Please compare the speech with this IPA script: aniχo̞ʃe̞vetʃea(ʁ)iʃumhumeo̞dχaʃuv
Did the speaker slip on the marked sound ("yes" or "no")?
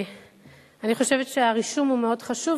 no